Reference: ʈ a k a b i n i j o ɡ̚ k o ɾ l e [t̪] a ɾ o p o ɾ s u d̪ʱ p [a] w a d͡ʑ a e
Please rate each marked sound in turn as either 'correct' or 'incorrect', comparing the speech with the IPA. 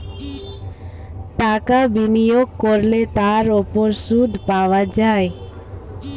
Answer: correct, correct

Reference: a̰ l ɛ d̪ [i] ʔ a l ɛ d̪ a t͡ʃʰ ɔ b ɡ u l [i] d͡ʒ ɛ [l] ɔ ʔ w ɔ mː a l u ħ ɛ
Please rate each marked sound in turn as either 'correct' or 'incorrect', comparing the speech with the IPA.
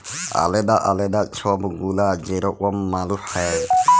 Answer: incorrect: a, incorrect: a, incorrect: ɾ

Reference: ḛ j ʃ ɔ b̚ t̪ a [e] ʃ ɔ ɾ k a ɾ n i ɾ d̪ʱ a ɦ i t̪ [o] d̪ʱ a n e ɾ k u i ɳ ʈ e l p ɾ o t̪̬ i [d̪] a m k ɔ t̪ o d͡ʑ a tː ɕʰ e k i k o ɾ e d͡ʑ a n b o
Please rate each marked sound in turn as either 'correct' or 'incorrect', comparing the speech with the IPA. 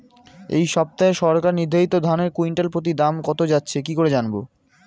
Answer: correct, correct, correct

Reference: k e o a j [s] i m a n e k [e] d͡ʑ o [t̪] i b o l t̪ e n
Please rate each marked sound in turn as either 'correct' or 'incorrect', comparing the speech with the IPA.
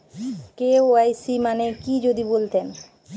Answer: correct, incorrect: i, incorrect: d̪

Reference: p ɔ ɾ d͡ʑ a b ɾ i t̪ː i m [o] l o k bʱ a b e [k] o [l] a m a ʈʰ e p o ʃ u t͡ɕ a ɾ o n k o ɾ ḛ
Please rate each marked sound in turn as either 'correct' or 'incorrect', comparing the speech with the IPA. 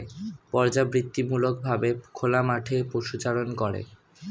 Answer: incorrect: u, incorrect: kʰ, correct

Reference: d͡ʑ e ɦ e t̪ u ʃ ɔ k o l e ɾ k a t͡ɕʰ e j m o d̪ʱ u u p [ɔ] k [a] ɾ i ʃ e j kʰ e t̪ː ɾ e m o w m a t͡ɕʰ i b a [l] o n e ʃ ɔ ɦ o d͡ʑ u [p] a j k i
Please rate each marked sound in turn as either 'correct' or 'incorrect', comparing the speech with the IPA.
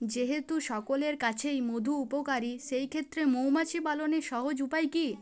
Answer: incorrect: o, correct, correct, correct

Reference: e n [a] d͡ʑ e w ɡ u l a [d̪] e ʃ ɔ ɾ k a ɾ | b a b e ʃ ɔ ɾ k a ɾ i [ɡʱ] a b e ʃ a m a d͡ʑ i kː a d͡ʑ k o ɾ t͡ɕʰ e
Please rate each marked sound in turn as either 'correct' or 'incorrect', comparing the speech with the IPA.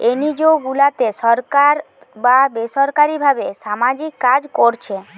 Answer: incorrect: i, incorrect: t̪, incorrect: bʱ

